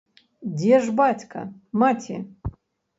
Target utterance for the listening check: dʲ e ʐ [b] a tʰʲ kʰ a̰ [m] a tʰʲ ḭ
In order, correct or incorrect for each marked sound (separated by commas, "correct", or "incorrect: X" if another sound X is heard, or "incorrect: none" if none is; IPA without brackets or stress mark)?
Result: correct, correct